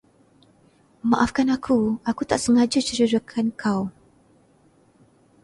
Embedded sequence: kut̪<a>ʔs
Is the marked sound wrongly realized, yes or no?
no